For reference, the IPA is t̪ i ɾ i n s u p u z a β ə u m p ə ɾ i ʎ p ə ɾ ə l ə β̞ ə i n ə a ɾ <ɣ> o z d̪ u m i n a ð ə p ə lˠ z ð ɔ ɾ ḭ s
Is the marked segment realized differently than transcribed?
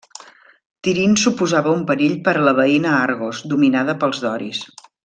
no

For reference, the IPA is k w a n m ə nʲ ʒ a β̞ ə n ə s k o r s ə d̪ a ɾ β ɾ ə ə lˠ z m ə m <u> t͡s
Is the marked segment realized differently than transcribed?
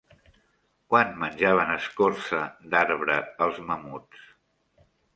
no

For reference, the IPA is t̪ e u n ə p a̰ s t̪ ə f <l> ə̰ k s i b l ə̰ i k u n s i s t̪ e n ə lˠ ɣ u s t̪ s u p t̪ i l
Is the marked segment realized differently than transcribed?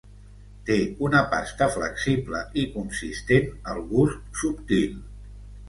no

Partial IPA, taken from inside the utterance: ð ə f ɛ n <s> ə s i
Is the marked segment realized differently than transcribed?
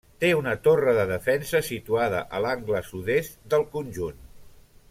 no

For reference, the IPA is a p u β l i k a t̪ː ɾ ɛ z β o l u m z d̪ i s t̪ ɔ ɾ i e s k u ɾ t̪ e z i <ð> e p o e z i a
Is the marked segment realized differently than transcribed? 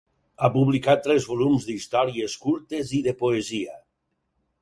no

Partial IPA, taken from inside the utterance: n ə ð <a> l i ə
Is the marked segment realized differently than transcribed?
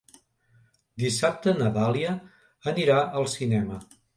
no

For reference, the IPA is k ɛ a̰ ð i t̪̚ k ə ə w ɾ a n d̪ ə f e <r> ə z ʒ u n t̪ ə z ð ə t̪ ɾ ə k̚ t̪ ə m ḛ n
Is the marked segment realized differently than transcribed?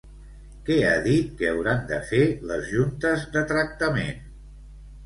yes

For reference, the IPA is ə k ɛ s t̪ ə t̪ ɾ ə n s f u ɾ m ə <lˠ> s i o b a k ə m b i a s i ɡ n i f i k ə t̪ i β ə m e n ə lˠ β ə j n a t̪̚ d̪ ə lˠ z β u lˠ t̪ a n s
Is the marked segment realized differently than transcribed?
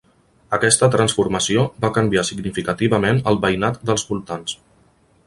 yes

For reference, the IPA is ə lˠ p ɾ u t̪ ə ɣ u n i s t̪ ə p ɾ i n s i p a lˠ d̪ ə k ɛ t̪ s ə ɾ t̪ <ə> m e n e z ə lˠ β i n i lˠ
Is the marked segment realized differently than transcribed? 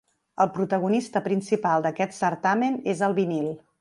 yes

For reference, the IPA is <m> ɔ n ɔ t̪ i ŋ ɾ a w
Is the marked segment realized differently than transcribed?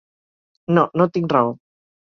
yes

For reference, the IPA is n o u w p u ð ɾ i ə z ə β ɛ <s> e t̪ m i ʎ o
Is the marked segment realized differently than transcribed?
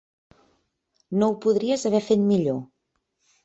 yes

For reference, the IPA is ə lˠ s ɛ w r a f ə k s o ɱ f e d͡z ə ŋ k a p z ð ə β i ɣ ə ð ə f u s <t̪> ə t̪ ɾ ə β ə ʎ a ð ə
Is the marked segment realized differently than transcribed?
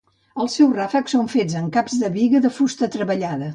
no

